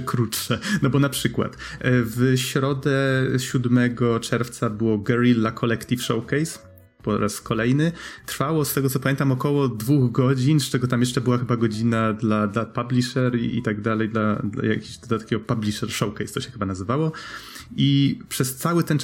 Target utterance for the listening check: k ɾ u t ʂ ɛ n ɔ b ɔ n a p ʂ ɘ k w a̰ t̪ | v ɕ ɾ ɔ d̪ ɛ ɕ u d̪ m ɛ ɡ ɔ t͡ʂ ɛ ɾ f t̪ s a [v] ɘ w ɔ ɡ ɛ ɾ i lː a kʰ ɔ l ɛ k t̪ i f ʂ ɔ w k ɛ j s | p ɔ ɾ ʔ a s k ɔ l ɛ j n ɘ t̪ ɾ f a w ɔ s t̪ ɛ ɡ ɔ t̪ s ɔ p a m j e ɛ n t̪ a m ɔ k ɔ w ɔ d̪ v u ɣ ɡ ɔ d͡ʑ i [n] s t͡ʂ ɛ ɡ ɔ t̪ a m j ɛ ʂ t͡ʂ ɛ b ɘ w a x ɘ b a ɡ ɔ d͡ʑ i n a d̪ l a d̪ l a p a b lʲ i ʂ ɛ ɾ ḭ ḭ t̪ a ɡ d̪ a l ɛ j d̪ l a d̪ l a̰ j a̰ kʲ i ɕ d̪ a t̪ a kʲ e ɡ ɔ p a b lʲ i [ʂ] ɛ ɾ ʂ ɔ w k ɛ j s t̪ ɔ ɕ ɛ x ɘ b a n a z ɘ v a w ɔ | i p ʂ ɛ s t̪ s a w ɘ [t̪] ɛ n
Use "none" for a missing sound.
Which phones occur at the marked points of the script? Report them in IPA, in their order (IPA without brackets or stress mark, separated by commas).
b, n, ʂ, t̪